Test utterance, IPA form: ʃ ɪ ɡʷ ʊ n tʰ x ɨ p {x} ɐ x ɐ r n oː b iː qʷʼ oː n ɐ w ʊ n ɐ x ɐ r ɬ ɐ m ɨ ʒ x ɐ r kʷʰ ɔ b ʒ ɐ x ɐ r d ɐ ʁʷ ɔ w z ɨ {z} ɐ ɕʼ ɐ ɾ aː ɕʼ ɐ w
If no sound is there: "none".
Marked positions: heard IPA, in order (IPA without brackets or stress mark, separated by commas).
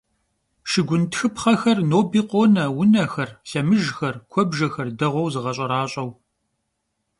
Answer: χ, ʁ